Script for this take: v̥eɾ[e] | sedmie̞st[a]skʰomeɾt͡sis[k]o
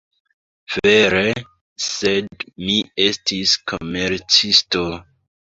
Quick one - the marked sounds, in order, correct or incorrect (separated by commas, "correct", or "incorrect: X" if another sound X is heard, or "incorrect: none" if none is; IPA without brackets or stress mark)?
correct, incorrect: i, incorrect: t